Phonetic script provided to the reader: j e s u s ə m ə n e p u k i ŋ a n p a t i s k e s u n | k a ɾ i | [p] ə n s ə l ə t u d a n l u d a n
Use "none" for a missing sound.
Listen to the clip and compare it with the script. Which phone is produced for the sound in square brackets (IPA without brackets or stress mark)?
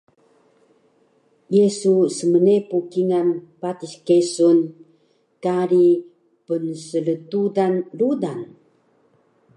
p